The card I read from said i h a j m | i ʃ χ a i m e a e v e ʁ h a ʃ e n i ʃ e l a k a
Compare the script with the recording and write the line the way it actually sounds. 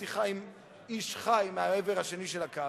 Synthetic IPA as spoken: i χ a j m | i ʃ χ a j m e a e v e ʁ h a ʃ e n i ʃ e l a k a